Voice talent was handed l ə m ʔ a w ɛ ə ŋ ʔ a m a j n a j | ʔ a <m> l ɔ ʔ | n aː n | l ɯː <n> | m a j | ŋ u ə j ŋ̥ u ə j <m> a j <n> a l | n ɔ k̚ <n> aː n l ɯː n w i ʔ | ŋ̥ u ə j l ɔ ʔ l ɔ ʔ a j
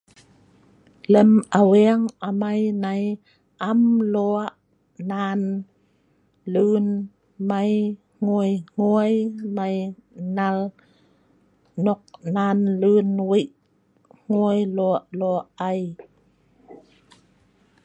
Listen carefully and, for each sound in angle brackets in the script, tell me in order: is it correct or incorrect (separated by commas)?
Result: correct, correct, correct, correct, correct